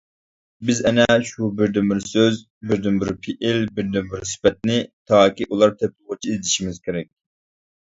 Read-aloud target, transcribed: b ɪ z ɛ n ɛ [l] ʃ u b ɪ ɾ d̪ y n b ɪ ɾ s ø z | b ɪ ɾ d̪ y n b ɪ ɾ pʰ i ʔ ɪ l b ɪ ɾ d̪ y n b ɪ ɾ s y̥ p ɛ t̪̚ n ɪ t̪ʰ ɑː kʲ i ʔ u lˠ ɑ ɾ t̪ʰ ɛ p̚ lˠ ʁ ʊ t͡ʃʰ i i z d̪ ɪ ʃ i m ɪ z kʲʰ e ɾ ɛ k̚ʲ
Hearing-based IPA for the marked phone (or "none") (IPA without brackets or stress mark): none